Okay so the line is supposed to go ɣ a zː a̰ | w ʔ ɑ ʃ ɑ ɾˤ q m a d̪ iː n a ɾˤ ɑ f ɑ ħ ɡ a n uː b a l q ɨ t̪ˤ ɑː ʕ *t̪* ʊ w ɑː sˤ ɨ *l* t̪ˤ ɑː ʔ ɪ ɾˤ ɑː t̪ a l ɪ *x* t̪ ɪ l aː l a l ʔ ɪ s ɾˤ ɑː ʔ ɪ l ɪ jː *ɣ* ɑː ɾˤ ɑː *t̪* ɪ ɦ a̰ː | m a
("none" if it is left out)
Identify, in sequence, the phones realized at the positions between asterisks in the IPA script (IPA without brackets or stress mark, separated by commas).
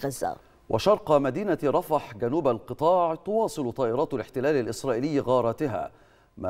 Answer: t̪, l, ħ, ɣ, t̪